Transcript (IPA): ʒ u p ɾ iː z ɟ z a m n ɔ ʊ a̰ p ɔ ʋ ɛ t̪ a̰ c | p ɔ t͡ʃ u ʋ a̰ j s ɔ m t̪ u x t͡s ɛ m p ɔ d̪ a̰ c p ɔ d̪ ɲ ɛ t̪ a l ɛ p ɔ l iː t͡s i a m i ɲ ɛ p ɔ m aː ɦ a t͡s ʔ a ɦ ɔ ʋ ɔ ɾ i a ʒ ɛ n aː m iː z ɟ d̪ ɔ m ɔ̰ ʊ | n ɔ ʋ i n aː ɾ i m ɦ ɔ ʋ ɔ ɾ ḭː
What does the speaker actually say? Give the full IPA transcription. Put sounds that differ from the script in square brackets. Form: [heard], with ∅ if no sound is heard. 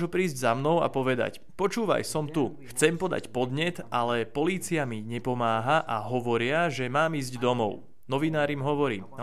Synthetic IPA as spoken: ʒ u p ɾ iː z ɟ z a m n ɔ ʊ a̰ p ɔ ʋ ɛ [d̪] a̰ c | p ɔ t͡ʃ [uː] ʋ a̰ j s ɔ m t̪ u x t͡s ɛ m p ɔ d̪ a̰ c p ɔ d̪ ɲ ɛ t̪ a l ɛ p ɔ l iː t͡s i a m i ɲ ɛ p ɔ m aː ɦ a [∅] ʔ a ɦ ɔ ʋ ɔ ɾ [ɪ] a ʒ ɛ [m] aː m iː z ɟ d̪ ɔ m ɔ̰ ʊ | n ɔ ʋ i n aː ɾ i m ɦ ɔ ʋ ɔ ɾ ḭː